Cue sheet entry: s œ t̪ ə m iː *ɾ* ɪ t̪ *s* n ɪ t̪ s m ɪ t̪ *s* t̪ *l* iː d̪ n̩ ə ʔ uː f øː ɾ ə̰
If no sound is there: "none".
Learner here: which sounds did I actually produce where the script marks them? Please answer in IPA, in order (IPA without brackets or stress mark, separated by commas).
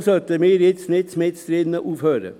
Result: ɾ, s, s, ɾ